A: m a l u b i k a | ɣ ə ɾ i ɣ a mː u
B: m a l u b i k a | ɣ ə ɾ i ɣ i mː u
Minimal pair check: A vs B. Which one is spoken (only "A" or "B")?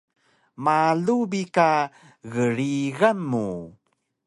A